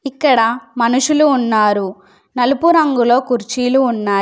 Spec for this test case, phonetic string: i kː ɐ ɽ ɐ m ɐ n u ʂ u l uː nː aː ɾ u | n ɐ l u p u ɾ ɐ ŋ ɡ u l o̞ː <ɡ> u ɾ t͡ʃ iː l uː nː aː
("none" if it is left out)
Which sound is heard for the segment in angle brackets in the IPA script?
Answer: k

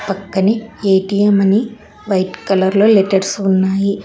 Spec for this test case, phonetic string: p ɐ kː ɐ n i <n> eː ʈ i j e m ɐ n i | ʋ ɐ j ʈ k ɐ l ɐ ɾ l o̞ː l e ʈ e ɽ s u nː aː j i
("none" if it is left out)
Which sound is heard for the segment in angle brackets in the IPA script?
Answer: none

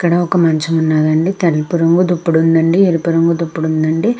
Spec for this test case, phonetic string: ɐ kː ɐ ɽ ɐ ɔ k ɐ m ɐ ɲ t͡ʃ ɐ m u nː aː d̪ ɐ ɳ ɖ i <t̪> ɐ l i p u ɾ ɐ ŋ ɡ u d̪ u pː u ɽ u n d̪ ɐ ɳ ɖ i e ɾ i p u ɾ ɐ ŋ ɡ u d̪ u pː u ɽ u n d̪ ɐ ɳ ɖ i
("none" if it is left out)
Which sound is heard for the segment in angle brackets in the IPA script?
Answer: t̪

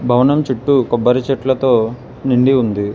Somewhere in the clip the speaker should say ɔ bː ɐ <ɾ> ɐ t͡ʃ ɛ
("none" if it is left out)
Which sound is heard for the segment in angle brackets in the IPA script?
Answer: ɾ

